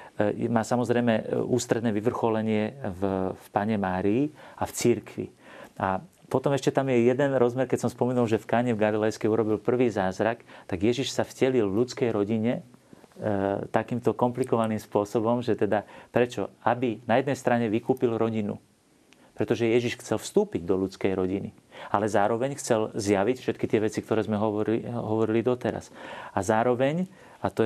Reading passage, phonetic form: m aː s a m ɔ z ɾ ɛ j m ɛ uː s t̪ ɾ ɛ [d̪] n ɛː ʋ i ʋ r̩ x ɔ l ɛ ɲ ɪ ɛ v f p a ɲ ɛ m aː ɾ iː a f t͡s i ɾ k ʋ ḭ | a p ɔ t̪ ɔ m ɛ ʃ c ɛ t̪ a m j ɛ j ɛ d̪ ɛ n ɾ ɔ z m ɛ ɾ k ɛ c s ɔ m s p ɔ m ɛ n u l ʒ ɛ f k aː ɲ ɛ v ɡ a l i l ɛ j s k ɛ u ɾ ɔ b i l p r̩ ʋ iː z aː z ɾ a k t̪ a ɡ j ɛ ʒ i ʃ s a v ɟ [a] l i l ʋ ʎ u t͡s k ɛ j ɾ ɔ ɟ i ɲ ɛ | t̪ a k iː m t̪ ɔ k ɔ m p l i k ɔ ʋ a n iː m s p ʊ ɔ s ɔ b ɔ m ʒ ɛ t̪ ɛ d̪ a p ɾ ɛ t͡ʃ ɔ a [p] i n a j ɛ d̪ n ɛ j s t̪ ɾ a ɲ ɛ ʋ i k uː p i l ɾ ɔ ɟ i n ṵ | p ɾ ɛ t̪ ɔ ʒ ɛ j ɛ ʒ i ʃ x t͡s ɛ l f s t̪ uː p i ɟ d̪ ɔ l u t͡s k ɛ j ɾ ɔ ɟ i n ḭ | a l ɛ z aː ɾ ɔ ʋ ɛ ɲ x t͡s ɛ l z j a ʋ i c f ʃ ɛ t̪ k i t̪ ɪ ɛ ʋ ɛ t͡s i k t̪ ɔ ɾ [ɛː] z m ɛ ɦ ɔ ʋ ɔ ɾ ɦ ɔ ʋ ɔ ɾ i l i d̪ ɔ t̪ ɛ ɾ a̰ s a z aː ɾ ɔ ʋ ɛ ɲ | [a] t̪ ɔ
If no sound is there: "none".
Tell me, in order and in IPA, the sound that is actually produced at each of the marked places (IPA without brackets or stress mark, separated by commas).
d̪, ɛ, b, ɛː, a